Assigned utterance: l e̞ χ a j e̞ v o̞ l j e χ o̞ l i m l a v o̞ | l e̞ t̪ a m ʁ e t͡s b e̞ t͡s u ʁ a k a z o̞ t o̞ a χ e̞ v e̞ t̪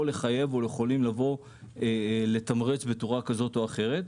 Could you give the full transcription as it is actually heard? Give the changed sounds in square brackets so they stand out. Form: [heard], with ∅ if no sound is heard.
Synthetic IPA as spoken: l e̞ χ a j e̞ v o̞ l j e χ o̞ l i m l a v o̞ | l e̞ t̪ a m ʁ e t͡s b e̞ t͡s u ʁ a k a z o̞ t o̞ a χ e̞ [ʁ] e̞ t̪